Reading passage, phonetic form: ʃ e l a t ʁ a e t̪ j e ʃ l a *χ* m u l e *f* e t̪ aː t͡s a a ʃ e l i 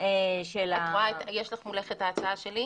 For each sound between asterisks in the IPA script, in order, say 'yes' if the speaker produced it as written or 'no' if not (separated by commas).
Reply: yes, no